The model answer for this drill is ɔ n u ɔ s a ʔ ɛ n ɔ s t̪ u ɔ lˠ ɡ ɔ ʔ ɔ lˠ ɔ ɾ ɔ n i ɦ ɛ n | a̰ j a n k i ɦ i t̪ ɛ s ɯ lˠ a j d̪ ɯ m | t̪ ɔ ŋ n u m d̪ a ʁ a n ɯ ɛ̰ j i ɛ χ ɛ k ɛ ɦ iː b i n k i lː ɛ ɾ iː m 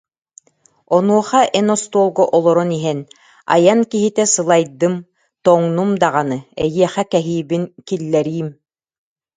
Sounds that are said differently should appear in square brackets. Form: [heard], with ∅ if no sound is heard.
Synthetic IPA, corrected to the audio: ɔ n u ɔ [χ] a ʔ ɛ n ɔ s t̪ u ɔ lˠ ɡ ɔ ʔ ɔ lˠ ɔ ɾ ɔ n i ɦ ɛ n | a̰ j a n k i ɦ i t̪ ɛ s ɯ lˠ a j d̪ ɯ m | t̪ ɔ ŋ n u m d̪ a ʁ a n ɯ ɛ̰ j i ɛ χ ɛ k ɛ ɦ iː b i n k i lː ɛ ɾ iː m